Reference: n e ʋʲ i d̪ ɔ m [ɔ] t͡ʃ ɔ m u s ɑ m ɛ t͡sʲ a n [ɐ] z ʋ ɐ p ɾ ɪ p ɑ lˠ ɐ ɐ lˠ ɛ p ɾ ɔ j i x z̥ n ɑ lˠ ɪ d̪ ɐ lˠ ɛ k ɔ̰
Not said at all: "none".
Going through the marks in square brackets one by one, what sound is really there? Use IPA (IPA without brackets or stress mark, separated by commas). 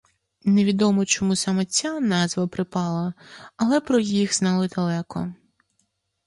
ɔ, ɑ